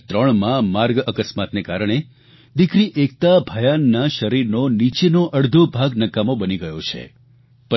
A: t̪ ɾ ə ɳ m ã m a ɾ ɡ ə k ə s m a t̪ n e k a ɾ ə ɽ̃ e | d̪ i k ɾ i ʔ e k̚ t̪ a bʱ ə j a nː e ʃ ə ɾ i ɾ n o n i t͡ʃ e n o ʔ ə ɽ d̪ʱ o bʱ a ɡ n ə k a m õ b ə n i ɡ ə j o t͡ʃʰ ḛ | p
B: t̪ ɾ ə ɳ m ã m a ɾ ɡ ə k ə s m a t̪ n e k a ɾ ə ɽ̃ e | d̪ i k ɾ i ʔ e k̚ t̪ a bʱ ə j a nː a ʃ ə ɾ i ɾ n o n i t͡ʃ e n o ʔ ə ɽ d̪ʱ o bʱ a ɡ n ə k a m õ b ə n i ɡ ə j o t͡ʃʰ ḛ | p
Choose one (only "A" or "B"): B